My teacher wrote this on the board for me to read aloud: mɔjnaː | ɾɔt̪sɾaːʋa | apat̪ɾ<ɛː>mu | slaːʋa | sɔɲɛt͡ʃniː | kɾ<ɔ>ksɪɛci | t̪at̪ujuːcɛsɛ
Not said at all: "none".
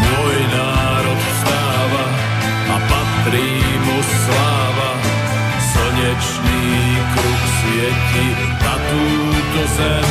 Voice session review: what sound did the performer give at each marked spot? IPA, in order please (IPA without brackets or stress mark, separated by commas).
iː, u